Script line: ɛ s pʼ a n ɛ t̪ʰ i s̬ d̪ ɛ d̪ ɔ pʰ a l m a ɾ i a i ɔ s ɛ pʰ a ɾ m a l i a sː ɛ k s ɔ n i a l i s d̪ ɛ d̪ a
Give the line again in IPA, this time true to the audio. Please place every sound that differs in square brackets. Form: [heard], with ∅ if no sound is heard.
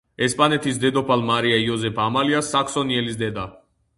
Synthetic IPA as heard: ɛ s pʼ a n ɛ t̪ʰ i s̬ d̪ ɛ d̪ ɔ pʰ a l m a ɾ i a i ɔ [z] ɛ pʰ a [∅] m a l i a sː [a] k s ɔ n i [ɛ] l i s d̪ ɛ d̪ a

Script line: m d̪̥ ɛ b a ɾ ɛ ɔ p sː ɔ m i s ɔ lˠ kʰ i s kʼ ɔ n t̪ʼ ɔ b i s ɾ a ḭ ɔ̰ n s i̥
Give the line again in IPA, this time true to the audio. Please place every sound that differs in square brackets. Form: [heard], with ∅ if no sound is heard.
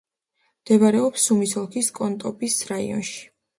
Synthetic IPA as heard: m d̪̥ ɛ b a ɾ ɛ ɔ p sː [u] m i s ɔ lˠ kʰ i s kʼ ɔ n t̪ʼ ɔ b i s ɾ a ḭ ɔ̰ n [ʃ] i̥

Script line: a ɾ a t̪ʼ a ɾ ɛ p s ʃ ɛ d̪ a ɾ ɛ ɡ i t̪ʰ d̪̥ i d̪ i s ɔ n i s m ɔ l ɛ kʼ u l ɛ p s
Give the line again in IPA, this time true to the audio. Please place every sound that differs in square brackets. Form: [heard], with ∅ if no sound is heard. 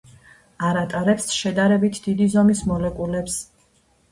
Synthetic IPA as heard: a ɾ a t̪ʼ a ɾ ɛ p s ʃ ɛ d̪ a ɾ ɛ [b] i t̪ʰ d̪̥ i d̪ i [z] ɔ [m] i s m ɔ l ɛ kʼ u l ɛ p s

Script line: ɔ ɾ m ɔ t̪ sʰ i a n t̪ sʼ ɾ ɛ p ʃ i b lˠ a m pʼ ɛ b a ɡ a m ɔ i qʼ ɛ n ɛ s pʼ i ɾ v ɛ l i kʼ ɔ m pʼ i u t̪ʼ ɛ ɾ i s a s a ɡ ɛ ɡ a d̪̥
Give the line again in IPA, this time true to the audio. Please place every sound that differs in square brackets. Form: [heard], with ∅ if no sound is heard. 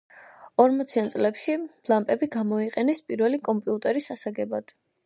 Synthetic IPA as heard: ɔ ɾ m ɔ t̪ sʰ i a n t̪ sʼ [l] ɛ p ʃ i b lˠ a m pʼ ɛ b [i] ɡ a m ɔ i qʼ ɛ n ɛ s pʼ i ɾ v ɛ l i kʼ ɔ m pʼ i u t̪ʼ ɛ ɾ i s a s a ɡ ɛ [b] a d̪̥

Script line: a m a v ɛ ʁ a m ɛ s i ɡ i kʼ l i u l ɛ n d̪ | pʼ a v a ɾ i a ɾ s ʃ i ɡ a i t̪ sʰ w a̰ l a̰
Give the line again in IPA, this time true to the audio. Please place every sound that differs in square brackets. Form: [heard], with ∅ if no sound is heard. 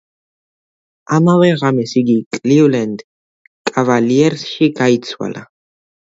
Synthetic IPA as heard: a m a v ɛ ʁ a m ɛ s i ɡ i kʼ l i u l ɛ n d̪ | [kʼ] a v a [l] i [ɛ] ɾ s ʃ i ɡ a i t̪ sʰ w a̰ l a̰

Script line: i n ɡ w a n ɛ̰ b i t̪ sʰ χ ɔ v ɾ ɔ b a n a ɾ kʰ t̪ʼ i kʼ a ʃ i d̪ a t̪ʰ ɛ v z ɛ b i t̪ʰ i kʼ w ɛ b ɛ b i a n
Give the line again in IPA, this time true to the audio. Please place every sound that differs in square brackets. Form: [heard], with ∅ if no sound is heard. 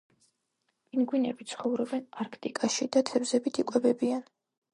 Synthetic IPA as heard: i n ɡ w [i] n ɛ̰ b i t̪ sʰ χ ɔ v ɾ ɔ b [ɛ] n a ɾ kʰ t̪ʼ i kʼ a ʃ i d̪ a t̪ʰ ɛ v z ɛ b i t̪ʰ i kʼ w ɛ b ɛ b i a n

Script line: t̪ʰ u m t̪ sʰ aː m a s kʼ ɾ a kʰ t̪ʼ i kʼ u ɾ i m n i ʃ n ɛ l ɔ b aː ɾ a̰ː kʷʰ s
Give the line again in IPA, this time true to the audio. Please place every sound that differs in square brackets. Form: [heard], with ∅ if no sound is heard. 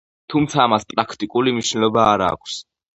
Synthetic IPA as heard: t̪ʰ u m t̪ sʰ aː m a s [pʼ] ɾ a kʰ t̪ʼ i kʼ u [l] i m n i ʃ n ɛ l ɔ b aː ɾ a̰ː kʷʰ s

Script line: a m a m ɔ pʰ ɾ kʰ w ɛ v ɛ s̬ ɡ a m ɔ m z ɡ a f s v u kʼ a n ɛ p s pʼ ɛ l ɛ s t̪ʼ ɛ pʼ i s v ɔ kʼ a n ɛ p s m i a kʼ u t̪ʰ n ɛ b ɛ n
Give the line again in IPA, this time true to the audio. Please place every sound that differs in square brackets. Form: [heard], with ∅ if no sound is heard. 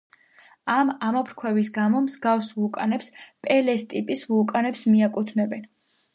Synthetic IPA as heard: a m a m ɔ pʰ ɾ kʰ w ɛ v [i] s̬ ɡ a m ɔ m z ɡ a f s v u kʼ a n ɛ p s pʼ ɛ l ɛ s t̪ʼ [i] pʼ i s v [u] kʼ a n ɛ p s m i a kʼ u t̪ʰ n ɛ b ɛ n

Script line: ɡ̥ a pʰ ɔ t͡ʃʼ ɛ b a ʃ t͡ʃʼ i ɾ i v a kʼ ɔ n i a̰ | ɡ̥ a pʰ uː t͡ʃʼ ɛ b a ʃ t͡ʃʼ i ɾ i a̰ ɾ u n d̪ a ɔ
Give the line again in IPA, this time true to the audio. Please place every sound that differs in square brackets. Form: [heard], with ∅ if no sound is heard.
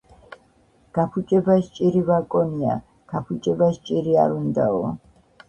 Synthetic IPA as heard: ɡ̥ a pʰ [u] t͡ʃʼ ɛ b a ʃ t͡ʃʼ i ɾ i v a kʼ ɔ n i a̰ | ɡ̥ a pʰ [u] t͡ʃʼ ɛ b a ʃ t͡ʃʼ i ɾ i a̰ ɾ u n d̪ a ɔ

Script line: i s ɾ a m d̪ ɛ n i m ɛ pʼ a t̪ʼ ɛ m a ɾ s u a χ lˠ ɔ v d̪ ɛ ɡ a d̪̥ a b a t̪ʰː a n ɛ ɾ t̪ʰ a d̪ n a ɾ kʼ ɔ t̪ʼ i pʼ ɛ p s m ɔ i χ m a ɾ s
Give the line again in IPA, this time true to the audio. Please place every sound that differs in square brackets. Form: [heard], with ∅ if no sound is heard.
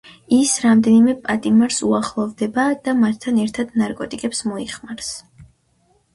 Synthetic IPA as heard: i s ɾ a m d̪ ɛ n i m ɛ pʼ a t̪ʼ [i] m a ɾ s u a χ lˠ ɔ v d̪ ɛ [b] a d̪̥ a [m] a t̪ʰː a n ɛ ɾ t̪ʰ a d̪ n a ɾ kʼ ɔ t̪ʼ i [kʼ] ɛ p s m ɔ i χ m a ɾ s

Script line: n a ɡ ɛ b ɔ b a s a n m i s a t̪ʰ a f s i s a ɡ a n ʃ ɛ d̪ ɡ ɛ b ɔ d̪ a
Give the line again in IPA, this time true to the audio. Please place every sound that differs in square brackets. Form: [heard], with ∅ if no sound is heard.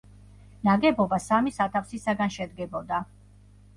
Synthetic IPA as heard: n a ɡ ɛ b ɔ b a s a [∅] m i s a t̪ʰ a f s i s a ɡ a n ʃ ɛ d̪ ɡ ɛ b ɔ d̪ a

